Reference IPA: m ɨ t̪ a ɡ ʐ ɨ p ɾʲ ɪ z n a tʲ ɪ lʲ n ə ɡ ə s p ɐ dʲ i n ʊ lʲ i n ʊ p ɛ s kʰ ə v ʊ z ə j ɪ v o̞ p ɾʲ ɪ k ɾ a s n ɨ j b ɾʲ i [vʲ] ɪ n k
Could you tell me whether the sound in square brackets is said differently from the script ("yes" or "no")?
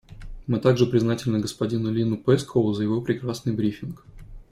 yes